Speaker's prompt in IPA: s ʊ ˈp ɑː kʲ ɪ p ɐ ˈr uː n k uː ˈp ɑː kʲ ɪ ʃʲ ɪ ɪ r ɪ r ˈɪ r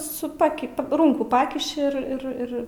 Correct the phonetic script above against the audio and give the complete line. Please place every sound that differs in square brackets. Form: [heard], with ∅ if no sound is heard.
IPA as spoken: s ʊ ˈp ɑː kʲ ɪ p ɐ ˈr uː [ŋ] k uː ˈp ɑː kʲ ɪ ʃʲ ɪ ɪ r ɪ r ˈɪ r